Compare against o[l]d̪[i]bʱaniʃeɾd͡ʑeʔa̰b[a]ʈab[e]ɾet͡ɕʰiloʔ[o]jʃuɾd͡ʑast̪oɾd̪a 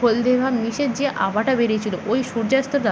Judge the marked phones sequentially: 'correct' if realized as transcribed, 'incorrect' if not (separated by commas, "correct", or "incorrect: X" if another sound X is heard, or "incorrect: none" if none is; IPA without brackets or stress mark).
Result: correct, incorrect: e, correct, correct, correct